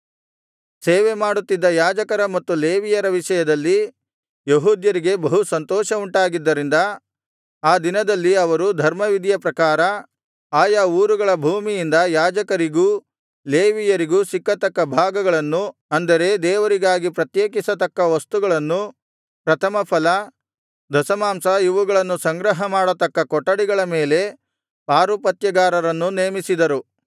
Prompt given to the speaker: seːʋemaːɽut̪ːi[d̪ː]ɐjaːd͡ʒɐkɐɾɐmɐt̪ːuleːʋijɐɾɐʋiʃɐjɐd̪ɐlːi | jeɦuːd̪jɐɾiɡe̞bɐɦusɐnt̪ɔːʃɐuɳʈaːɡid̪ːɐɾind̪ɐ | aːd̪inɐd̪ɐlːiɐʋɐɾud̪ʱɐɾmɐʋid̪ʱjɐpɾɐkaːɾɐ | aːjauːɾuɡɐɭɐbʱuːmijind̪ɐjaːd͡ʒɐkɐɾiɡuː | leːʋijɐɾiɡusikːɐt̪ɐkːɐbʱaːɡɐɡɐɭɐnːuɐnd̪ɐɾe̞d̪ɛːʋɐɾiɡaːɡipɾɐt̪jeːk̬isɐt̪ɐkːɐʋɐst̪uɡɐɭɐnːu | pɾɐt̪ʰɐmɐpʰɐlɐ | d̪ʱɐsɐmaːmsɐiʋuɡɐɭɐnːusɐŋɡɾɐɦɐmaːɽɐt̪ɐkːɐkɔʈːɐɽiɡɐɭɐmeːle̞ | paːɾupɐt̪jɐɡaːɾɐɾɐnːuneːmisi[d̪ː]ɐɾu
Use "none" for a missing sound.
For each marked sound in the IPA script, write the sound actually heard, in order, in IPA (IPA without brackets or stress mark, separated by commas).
d̪ː, d̪